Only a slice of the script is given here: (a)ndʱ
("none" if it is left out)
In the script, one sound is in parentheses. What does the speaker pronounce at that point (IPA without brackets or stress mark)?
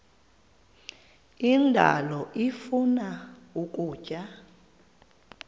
i